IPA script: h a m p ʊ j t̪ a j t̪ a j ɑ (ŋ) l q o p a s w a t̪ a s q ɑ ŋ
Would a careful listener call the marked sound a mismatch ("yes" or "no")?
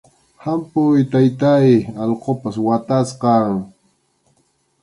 yes